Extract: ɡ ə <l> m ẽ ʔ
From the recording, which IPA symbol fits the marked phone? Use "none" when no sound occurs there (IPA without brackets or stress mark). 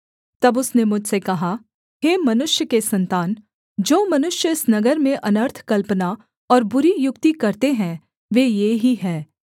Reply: ɾ